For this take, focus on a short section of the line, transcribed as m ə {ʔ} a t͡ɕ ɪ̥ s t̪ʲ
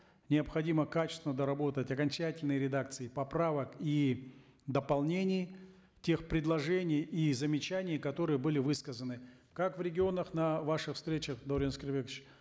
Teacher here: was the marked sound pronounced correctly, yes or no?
no